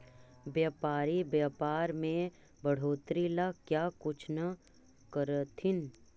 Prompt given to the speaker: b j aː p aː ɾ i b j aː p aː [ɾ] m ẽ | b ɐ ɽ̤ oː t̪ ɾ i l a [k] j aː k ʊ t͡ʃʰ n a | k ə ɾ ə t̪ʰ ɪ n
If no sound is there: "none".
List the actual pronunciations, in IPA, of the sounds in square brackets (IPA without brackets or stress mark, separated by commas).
ɾ, k